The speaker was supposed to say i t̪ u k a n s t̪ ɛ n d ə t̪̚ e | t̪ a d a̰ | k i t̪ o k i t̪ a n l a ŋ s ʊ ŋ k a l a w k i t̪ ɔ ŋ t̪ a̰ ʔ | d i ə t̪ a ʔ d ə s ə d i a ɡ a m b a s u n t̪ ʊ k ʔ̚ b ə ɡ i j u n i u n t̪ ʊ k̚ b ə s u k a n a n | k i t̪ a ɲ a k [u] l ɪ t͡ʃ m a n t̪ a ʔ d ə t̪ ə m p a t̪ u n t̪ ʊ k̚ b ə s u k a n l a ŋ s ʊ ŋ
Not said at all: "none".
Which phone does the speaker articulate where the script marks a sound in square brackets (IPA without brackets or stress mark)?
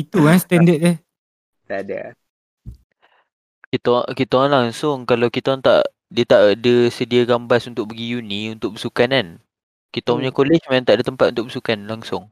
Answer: o